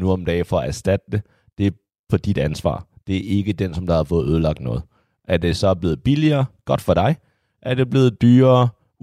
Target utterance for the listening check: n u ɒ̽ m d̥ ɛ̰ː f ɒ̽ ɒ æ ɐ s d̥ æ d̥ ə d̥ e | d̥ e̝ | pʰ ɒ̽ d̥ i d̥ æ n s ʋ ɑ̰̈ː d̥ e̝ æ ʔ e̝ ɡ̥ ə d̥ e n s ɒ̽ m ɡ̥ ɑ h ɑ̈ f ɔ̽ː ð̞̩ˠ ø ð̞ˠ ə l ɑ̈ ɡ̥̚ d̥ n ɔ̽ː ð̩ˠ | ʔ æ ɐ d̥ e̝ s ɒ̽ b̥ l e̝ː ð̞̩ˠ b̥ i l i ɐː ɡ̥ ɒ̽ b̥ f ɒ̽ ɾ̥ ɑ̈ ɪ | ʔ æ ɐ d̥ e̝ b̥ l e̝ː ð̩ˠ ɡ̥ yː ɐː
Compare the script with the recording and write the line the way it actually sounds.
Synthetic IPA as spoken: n u ɒ̽ m d̥ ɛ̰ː f ɒ̽ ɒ æ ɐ s d̥ æ d̥ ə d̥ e | d̥ e̝ | pʰ ɒ̽ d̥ i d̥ æ n s ʋ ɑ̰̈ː d̥ e̝ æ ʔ e̝ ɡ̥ ə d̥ e n s ɒ̽ m d̥ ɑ h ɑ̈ f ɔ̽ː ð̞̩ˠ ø ð̞ˠ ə l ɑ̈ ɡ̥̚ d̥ n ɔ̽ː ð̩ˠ | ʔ æ ɐ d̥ e̝ s ɒ̽ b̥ l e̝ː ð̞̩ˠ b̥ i l i ɐː ɡ̥ ɒ̽ d̥ f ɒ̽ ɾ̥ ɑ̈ ɪ | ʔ æ ɐ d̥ e̝ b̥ l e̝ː ð̩ˠ d̥ yː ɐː